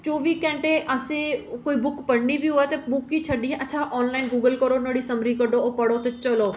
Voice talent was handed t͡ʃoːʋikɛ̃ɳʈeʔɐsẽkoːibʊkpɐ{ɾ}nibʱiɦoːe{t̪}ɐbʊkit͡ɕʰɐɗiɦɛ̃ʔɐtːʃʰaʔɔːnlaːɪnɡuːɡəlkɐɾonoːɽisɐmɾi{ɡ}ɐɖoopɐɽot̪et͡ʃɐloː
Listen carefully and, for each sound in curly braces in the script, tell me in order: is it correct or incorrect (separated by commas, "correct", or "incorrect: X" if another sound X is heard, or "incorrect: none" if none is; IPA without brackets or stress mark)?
incorrect: ɽ, correct, incorrect: k